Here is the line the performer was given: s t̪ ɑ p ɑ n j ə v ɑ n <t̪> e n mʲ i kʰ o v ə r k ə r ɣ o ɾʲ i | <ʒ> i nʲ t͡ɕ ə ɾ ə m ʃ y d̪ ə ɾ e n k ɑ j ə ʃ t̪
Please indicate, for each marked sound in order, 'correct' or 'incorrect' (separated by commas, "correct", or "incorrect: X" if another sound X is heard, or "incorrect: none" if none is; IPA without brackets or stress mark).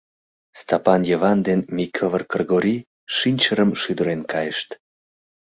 incorrect: d̪, incorrect: ʃ